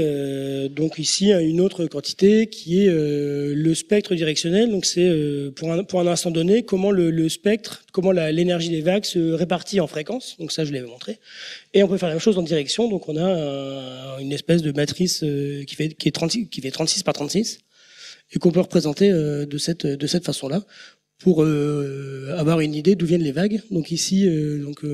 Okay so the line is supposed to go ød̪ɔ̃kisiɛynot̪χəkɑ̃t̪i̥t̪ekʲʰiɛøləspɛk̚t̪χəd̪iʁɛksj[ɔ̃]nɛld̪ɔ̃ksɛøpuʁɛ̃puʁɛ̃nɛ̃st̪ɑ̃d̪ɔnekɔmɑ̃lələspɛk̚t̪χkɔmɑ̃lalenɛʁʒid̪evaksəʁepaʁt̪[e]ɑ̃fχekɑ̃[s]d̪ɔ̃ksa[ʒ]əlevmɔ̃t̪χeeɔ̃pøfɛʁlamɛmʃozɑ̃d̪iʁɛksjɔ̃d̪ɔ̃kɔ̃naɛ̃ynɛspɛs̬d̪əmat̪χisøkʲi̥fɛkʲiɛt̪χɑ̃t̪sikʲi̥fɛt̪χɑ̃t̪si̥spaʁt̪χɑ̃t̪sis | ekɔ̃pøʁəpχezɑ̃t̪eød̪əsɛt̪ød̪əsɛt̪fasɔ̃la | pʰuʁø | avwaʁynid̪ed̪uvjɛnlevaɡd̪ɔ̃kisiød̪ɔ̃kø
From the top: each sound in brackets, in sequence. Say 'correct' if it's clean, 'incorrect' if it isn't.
incorrect: ɔ, incorrect: i, correct, correct

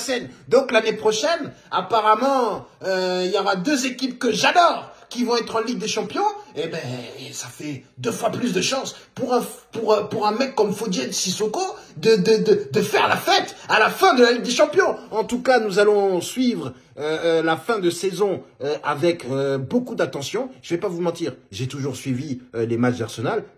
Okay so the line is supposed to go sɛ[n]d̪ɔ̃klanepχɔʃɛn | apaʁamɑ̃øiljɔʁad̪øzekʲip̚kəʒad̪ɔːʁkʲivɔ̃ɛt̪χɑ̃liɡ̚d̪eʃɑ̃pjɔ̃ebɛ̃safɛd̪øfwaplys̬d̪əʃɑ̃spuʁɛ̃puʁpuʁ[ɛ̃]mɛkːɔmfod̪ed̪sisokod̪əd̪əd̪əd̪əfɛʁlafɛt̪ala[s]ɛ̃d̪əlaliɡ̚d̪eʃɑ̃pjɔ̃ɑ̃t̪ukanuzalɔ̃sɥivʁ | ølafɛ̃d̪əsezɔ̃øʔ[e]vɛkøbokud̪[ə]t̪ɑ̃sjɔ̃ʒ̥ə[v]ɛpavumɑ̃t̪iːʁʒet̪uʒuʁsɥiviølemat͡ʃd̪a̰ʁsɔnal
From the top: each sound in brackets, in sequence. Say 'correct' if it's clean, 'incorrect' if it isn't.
correct, correct, incorrect: f, incorrect: a, incorrect: a, correct

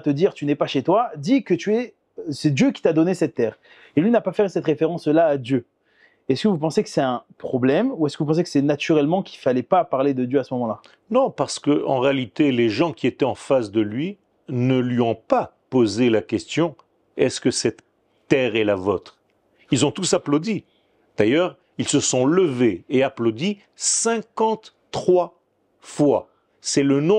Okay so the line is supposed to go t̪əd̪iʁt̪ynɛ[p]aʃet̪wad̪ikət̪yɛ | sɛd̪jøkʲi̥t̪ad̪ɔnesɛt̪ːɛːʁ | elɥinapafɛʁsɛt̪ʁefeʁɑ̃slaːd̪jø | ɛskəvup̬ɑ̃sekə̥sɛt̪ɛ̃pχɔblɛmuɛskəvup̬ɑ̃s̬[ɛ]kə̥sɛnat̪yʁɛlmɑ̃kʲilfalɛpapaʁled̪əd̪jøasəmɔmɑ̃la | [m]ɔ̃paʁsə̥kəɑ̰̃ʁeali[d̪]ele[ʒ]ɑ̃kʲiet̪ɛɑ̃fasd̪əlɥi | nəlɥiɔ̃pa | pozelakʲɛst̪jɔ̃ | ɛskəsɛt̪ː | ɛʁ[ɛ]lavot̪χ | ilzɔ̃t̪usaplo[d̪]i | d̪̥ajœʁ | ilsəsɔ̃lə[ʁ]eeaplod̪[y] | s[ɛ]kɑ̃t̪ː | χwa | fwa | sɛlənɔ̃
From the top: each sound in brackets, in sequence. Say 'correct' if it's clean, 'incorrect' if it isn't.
correct, incorrect: e, incorrect: n, incorrect: t̪, correct, correct, correct, incorrect: v, incorrect: i, incorrect: ɛ̃

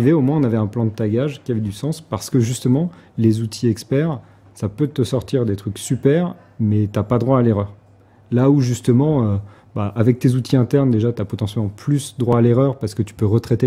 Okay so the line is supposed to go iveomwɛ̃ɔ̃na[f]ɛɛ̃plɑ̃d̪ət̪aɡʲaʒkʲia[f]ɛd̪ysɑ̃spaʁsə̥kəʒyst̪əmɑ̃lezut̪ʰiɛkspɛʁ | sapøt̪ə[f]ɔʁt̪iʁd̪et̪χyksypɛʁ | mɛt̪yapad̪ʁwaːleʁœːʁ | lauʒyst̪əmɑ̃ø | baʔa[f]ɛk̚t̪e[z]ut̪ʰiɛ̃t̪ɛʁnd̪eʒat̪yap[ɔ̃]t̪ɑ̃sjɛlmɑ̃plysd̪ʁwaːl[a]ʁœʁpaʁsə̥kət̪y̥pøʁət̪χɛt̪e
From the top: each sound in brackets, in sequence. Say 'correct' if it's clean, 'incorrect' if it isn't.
incorrect: v, incorrect: v, incorrect: s, incorrect: v, correct, incorrect: ɔ, incorrect: e

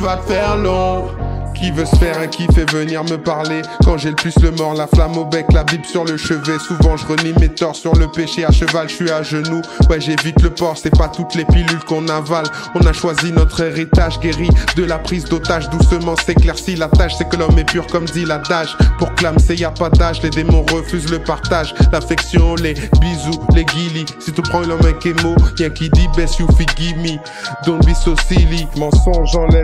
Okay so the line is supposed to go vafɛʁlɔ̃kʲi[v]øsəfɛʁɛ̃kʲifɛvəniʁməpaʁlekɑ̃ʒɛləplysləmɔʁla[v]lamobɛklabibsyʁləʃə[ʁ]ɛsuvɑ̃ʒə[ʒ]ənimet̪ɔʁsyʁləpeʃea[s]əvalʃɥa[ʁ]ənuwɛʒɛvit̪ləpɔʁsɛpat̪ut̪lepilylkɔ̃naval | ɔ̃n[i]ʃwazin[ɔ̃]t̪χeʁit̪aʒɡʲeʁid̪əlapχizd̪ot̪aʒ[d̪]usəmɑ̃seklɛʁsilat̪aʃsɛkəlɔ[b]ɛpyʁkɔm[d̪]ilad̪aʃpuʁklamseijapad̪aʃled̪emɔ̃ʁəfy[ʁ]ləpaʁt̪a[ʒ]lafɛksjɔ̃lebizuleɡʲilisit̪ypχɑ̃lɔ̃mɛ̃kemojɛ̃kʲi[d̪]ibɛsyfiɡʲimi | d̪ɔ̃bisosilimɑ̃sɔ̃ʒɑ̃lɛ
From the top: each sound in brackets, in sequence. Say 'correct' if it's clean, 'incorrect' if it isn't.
correct, incorrect: f, incorrect: v, incorrect: ʁ, incorrect: ʃ, incorrect: ʒ, incorrect: a, incorrect: ɔ, correct, incorrect: m, correct, incorrect: z, correct, correct

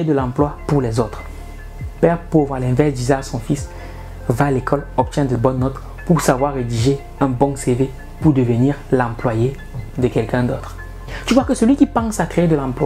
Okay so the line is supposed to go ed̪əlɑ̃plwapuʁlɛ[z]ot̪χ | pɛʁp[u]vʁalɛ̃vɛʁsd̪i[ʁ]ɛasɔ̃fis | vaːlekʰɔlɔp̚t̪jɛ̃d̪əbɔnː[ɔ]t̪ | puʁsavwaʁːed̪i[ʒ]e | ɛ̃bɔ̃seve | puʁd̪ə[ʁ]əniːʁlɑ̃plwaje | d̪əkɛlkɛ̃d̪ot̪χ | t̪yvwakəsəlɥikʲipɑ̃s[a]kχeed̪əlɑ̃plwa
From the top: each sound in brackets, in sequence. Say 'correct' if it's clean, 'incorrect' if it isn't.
correct, incorrect: o, incorrect: z, correct, correct, incorrect: v, correct

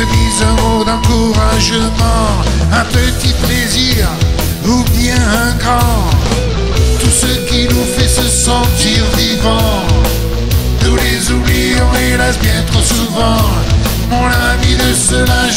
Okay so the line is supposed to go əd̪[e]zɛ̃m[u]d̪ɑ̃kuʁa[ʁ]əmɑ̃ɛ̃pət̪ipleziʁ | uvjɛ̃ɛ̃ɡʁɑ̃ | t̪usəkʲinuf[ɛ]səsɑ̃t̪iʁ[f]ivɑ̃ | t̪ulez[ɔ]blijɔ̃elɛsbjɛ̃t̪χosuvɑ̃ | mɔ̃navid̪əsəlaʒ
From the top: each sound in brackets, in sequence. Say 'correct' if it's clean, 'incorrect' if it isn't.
incorrect: i, incorrect: o, incorrect: ʒ, correct, incorrect: v, incorrect: u

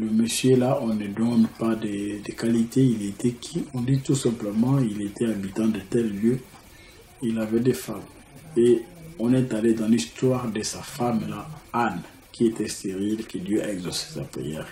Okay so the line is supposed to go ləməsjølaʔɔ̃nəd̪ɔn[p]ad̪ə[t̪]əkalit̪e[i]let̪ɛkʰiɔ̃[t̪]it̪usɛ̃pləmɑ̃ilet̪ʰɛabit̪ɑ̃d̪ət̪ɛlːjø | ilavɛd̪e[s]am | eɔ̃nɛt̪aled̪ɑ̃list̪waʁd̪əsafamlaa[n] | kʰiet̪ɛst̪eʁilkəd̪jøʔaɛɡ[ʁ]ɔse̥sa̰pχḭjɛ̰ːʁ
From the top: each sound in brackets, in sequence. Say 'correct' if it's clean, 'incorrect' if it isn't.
correct, incorrect: d̪, correct, incorrect: d̪, incorrect: f, correct, incorrect: z

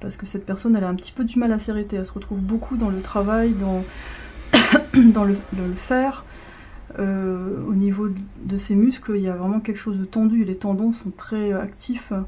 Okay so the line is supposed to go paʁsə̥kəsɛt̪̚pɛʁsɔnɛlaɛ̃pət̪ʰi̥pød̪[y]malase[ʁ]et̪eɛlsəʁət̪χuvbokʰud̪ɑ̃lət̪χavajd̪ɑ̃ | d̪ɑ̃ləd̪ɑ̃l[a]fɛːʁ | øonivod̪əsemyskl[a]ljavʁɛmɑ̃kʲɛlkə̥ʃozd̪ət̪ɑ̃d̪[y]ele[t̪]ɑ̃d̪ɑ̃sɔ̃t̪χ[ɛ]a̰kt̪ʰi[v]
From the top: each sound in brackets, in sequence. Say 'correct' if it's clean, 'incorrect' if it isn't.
correct, correct, incorrect: ə, incorrect: i, correct, correct, correct, incorrect: f

